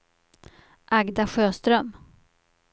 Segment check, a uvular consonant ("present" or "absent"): absent